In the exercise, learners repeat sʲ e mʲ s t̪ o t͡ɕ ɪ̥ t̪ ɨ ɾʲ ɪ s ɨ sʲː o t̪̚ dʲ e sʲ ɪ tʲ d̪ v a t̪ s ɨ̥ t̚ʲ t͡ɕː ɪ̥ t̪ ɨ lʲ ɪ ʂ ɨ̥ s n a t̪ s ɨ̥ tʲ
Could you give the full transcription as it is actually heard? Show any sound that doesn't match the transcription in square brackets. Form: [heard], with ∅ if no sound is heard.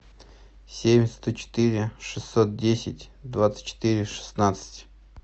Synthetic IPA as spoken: sʲ e mʲ s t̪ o t͡ɕ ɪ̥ t̪ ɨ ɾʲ ɪ [ʂ] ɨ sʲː o t̪̚ dʲ e sʲ ɪ tʲ d̪ v a t̪ s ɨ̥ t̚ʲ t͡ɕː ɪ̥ t̪ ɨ [ɾʲ] ɪ ʂ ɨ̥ s n a t̪ s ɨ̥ tʲ